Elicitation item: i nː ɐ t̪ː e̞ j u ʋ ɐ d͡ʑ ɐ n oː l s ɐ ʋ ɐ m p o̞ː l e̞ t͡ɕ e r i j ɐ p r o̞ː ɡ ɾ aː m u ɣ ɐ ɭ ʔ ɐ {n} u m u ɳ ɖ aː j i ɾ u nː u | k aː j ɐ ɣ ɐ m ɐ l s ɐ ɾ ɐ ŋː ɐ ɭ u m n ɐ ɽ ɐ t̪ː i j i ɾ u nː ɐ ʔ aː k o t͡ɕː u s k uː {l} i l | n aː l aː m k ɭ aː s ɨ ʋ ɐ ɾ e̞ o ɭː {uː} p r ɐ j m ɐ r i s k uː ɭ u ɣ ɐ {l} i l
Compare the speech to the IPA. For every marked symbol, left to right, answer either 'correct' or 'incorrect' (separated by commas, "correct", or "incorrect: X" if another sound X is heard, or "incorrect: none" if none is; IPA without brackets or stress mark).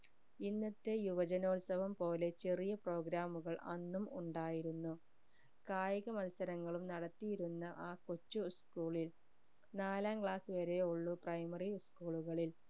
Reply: incorrect: nː, incorrect: ɭ, incorrect: u, incorrect: ɭ